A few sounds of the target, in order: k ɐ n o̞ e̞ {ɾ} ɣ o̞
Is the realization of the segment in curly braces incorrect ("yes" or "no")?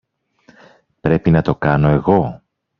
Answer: yes